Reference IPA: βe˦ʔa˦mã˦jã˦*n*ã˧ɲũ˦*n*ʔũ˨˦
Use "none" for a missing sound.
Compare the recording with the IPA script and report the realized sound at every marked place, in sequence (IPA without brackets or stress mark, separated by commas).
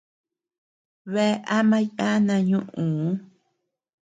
n, none